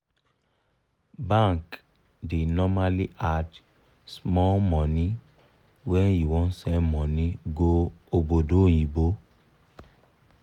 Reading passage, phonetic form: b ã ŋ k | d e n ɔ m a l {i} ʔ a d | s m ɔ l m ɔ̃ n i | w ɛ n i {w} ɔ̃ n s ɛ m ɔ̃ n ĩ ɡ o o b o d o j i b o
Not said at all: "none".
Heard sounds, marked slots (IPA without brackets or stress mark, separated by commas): i, w